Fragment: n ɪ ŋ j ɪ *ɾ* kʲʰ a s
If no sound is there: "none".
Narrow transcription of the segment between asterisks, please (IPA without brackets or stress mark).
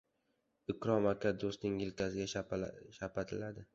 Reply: l